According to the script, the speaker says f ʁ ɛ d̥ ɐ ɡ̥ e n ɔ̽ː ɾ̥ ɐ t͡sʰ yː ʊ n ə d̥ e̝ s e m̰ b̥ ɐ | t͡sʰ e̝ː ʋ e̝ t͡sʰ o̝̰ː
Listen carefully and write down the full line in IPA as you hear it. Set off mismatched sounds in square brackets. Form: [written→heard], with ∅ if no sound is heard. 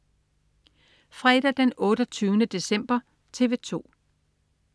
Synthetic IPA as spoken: f ʁ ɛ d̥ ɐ [ɡ̥→d̥] e n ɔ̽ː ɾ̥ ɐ t͡sʰ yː ʊ n ə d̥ e̝ s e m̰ b̥ ɐ | t͡sʰ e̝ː ʋ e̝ t͡sʰ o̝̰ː